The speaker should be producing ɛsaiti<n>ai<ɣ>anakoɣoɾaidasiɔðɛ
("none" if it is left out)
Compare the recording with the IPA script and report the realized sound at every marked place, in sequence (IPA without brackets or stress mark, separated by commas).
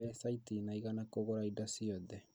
n, ɣ